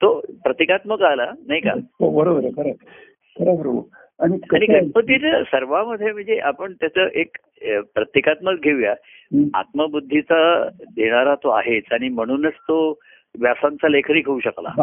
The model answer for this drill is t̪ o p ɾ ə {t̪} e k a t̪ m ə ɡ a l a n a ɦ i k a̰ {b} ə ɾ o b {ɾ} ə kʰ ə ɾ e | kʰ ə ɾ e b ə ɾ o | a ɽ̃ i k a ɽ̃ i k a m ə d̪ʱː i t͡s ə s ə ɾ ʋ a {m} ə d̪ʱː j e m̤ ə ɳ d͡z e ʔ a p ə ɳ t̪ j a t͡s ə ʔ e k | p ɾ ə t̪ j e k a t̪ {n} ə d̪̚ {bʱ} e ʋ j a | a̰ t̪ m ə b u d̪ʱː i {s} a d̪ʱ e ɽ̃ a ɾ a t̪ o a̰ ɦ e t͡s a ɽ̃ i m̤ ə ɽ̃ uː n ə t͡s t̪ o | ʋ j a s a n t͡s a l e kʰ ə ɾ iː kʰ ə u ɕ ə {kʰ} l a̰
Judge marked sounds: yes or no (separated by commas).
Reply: yes, yes, yes, yes, no, no, no, no